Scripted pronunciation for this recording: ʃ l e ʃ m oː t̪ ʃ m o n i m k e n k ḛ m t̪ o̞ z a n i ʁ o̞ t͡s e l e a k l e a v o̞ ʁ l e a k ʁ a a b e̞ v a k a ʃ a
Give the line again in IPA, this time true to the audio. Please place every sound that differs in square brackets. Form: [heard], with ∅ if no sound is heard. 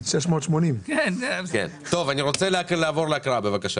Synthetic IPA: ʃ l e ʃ m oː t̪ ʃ m o n i m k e n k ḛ [n] t̪ o̞ [v] a n i ʁ o̞ t͡s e l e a k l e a v o̞ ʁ l e a k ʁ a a b e̞ v a k a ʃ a

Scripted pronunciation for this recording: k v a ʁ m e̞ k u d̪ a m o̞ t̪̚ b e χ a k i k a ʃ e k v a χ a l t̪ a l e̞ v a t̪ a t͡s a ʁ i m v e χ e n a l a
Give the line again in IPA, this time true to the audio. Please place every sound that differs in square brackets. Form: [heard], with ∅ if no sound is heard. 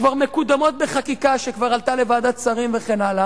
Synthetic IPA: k v a ʁ m e̞ k u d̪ a m o̞ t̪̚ b e χ a k i k a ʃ e k v a [ʁ] a l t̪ a l e̞ v a [d̪] a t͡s a ʁ i m v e χ e n a l a

